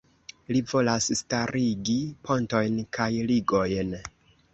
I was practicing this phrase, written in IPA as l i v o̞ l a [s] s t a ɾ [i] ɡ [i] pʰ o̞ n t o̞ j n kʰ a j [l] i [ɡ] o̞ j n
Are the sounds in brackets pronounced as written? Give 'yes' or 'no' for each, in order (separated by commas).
yes, yes, yes, yes, yes